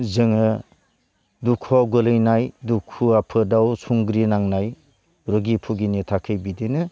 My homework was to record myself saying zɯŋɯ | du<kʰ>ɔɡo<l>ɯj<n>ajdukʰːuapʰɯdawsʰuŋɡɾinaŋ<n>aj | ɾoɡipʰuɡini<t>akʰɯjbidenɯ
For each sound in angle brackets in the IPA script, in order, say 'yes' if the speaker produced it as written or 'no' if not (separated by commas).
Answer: yes, yes, yes, yes, no